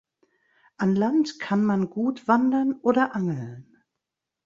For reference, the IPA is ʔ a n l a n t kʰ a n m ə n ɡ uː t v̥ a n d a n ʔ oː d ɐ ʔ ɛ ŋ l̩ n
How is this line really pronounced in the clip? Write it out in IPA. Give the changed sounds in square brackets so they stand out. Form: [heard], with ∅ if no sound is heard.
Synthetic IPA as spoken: ʔ a n l a n t kʰ a n m [a] n ɡ uː t v̥ a n d [ɐ] n ʔ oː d ɐ ʔ [a] ŋ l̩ n